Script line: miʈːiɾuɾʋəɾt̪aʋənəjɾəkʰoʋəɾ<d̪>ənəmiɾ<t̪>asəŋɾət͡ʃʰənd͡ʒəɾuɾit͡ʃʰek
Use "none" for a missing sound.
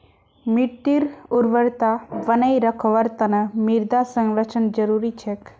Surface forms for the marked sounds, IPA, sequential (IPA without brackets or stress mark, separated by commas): t̪, d̪